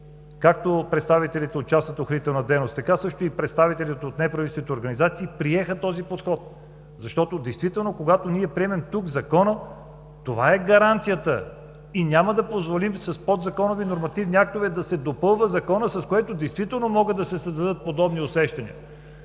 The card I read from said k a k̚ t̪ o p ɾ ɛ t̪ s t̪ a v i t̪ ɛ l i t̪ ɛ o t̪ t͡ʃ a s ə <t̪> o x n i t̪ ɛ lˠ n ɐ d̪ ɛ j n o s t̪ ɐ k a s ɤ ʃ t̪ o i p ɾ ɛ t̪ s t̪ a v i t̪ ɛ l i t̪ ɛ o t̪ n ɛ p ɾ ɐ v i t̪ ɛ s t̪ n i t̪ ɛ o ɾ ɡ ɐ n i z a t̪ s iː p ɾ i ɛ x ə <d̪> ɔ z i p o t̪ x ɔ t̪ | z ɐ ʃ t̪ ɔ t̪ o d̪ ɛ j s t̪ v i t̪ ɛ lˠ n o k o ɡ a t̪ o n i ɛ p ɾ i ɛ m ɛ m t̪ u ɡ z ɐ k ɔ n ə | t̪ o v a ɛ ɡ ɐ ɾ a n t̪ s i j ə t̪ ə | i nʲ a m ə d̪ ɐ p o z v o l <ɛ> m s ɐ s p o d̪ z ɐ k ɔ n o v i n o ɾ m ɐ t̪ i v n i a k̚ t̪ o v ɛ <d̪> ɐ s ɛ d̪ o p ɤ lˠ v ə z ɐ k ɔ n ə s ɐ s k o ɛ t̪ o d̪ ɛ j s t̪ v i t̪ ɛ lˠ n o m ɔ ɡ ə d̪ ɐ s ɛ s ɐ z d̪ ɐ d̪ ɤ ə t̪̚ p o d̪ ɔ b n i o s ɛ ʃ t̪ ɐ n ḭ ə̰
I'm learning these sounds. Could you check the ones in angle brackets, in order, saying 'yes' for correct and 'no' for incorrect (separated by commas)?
yes, no, no, yes